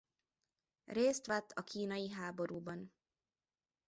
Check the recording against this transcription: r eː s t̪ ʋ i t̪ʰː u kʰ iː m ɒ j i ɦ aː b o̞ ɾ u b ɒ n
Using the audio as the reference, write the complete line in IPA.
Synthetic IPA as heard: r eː s t̪ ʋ ɛ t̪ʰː ɒ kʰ iː n ɒ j i ɦ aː b o̞ ɾ uː b ɒ n